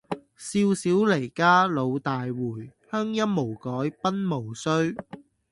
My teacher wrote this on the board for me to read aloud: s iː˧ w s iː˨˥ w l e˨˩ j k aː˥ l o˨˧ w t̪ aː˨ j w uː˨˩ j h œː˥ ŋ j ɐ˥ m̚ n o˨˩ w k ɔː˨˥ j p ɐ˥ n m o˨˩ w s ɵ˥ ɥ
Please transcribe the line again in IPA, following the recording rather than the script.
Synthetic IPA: s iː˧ w s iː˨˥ w l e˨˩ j k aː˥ l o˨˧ w t̪ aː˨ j w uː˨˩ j h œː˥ ŋ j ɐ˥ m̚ m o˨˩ w k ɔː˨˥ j p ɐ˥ n m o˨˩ w s ɵ˥ ɥ

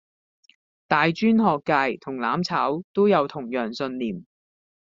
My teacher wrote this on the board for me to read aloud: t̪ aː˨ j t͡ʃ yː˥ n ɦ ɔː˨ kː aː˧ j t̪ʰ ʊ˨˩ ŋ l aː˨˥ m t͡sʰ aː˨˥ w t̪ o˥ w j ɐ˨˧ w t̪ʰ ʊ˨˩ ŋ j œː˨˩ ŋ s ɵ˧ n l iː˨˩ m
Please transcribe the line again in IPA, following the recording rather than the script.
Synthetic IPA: t̪ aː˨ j t͡ʃ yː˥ n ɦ ɔː˨ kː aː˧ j t̪ʰ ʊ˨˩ ŋ l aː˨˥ m t͡sʰ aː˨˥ w t̪ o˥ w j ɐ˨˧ w t̪ʰ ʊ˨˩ ŋ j œː˨˩ ŋ s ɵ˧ n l iː˨˩ m

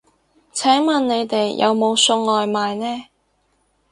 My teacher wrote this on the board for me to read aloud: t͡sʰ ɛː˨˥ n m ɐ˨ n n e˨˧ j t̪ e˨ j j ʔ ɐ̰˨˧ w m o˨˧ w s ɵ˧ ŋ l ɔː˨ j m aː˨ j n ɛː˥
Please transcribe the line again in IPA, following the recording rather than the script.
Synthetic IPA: t͡sʰ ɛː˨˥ ŋ m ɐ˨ n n e˨˧ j t̪ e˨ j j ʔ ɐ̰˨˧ w m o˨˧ w s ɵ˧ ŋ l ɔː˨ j m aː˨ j n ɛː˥

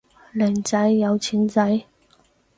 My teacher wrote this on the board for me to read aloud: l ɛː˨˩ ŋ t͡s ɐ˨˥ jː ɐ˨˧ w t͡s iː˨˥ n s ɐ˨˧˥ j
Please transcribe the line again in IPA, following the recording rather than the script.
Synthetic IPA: l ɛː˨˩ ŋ t͡s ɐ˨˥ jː ɐ˨˧ w t͡sʰ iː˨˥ n t͡s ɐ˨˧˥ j

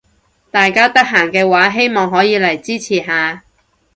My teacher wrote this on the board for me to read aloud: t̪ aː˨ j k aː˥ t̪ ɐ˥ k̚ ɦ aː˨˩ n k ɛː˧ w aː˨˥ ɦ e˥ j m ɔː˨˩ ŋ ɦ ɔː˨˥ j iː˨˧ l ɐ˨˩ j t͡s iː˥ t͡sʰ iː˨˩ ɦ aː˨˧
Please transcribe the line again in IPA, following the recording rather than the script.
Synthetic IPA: t̪ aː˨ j k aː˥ t̪ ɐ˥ k̚ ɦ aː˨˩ ŋ k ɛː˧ w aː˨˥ ɦ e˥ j m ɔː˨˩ ŋ ɦ ɔː˨˥ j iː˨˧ l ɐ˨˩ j t͡s iː˥ t͡sʰ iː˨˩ ɦ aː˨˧

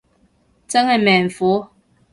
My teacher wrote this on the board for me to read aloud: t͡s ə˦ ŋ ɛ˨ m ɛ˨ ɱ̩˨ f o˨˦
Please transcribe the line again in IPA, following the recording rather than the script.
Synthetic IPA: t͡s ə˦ ŋ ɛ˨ m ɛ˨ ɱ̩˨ f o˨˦

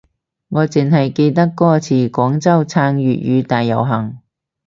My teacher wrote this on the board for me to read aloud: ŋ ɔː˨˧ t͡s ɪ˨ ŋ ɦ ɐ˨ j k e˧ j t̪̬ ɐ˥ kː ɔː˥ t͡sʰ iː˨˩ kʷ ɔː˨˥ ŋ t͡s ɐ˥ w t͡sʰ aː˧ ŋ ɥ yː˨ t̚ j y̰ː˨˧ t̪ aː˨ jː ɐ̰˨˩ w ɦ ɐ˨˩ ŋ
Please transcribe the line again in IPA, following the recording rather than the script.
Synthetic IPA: ŋ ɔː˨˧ t͡s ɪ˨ ŋ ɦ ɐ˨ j k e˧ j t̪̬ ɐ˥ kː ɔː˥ t͡sʰ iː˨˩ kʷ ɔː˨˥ ŋ t͡s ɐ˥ w t͡sʰ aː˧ ŋ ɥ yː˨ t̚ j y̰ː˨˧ t̪ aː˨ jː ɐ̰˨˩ w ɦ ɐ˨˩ ŋ

